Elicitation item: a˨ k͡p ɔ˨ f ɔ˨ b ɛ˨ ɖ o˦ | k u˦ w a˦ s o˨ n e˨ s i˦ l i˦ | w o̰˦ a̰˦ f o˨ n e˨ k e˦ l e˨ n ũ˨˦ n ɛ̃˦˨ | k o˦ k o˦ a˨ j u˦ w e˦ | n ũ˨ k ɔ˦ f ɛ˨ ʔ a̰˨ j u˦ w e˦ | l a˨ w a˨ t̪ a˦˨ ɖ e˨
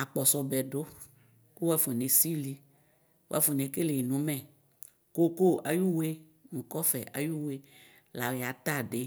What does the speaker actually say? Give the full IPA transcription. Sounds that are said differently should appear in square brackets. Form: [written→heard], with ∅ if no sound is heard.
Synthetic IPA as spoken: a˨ k͡p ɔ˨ [f→s] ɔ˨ b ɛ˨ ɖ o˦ | k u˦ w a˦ [s→f] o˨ n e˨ s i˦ l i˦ | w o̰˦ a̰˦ f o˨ n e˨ k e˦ l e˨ n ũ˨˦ [n→m] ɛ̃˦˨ | k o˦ k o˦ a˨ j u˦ w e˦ | n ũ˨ k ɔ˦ f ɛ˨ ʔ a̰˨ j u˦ w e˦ | l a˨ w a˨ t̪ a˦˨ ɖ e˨

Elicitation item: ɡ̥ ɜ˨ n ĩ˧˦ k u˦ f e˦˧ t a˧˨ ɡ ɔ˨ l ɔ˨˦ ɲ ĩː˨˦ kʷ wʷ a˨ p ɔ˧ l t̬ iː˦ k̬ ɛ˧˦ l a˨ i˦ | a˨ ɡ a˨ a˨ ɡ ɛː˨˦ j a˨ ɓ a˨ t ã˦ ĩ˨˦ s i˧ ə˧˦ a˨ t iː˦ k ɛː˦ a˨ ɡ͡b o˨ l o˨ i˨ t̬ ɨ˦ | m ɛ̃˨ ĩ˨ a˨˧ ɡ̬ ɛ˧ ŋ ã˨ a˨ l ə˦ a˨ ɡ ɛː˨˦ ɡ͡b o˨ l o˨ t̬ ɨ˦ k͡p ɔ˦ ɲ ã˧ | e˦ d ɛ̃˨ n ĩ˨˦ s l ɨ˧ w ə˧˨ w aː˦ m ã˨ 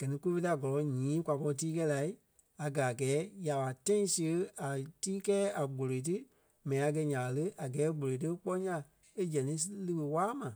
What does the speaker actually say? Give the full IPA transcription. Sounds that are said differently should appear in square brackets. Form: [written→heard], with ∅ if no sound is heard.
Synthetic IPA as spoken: ɡ̥ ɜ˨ n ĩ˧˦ k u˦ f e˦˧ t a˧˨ ɡ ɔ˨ l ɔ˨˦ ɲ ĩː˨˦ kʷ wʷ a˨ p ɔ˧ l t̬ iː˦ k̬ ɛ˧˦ l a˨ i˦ | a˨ ɡ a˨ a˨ ɡ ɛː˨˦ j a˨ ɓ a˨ t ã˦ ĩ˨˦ s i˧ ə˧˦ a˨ t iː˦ k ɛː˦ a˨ ɡ͡b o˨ l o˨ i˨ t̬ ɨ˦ | m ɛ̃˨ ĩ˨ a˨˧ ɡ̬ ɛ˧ [ŋ→ɲ] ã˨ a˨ l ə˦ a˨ ɡ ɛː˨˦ ɡ͡b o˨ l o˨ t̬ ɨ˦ k͡p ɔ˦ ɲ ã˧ | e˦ [d→d͡ʒ] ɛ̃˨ n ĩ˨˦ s l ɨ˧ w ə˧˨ w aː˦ m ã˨

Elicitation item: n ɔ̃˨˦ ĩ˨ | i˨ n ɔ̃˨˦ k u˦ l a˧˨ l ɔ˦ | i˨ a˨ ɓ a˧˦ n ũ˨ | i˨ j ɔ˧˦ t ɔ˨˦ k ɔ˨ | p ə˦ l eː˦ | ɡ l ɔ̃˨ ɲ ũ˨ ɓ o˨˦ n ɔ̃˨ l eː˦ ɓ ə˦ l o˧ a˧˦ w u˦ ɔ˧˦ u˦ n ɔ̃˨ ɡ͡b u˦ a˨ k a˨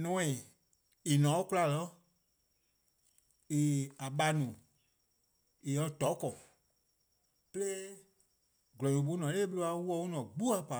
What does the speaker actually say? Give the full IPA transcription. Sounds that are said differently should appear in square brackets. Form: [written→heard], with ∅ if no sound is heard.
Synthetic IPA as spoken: n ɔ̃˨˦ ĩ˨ | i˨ n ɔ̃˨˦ k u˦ l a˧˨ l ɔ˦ | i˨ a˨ ɓ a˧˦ n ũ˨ | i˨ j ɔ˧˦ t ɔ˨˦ k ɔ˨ | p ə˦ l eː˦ | ɡ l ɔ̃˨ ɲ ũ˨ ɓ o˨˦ n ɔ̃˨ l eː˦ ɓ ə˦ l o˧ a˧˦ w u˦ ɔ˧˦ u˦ n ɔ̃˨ ɡ͡b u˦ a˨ [k→p] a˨

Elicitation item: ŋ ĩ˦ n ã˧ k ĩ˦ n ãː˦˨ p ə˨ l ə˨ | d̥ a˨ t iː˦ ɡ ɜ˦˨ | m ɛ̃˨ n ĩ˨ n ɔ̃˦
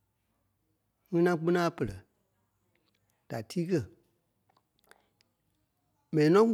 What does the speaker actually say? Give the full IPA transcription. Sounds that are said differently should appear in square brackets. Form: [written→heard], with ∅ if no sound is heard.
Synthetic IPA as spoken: ŋ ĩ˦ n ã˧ [k→k͡p] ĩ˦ n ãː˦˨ p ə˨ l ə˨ | d̥ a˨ t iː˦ [ɡ→k] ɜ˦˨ | m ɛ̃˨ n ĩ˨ n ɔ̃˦

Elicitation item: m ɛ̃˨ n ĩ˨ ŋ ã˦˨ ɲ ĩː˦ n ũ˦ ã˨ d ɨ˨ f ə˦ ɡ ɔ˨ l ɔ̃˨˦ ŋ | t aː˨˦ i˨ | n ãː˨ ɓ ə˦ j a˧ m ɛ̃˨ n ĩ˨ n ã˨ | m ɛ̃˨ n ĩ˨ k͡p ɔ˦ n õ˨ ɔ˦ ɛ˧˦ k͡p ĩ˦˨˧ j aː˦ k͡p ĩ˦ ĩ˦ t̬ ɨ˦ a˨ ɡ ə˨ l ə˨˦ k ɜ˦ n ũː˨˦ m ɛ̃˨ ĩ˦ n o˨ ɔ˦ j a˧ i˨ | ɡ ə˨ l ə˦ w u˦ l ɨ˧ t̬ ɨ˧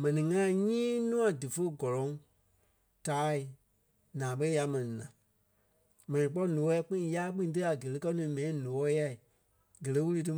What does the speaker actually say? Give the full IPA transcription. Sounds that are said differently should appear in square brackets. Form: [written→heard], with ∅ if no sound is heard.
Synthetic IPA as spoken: m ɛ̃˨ n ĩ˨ ŋ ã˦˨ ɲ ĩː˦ n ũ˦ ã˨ d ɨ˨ f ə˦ ɡ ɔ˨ l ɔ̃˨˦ ŋ | t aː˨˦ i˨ | n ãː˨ ɓ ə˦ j a˧ m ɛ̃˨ n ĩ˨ n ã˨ | m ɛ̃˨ n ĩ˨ k͡p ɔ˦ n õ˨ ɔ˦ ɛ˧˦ k͡p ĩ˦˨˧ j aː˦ k͡p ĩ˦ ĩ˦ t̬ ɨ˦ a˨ ɡ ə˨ l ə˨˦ k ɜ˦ n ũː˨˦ m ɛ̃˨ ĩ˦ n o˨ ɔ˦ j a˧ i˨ | ɡ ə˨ l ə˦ w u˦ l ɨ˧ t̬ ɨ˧

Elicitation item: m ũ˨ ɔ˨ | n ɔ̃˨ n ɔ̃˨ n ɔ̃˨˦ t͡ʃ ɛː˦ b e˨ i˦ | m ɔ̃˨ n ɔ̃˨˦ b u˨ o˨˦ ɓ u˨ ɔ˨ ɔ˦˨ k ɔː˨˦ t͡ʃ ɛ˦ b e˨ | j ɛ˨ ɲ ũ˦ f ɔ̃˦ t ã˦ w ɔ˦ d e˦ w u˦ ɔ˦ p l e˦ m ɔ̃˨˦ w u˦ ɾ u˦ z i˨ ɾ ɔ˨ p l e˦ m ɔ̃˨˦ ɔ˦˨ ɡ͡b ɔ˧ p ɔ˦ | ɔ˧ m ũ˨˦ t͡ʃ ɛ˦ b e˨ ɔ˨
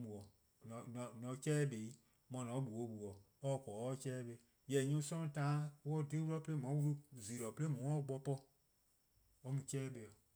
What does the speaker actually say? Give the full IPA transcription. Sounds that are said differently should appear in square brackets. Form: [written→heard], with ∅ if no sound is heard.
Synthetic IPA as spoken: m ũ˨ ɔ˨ | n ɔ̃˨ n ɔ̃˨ n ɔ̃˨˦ t͡ʃ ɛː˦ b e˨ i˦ | m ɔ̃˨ n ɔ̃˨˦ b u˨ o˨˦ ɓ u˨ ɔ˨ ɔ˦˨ k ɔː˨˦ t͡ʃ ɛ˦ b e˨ | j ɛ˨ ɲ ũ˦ [f→s] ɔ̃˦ t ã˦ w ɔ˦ d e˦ w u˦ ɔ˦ p l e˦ m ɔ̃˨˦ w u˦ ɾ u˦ z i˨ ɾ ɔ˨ p l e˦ m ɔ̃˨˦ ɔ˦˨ ɡ͡b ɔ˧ p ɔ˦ | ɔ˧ m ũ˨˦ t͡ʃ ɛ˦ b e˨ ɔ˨

